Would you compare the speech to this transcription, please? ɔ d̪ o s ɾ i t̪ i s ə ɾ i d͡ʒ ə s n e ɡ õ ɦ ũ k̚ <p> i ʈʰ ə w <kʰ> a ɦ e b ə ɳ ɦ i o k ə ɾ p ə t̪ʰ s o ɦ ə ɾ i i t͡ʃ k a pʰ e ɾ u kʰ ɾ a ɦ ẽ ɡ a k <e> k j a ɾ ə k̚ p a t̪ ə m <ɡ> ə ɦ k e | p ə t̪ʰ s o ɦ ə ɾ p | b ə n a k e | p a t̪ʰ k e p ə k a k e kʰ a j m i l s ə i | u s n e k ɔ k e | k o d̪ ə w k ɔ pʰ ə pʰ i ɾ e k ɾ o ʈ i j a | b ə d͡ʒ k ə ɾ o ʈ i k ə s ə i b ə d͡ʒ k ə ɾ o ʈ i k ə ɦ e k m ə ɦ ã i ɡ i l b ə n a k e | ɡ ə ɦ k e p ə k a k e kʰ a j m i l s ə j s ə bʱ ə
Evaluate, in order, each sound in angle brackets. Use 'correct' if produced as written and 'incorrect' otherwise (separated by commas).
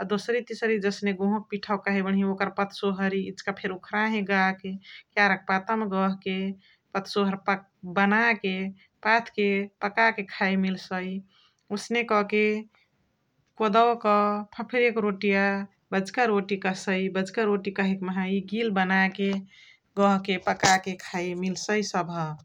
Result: correct, incorrect, correct, correct